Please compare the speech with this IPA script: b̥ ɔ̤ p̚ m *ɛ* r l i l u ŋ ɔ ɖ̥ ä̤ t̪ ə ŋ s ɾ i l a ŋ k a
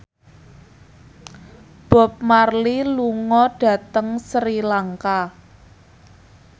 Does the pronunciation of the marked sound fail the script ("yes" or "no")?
yes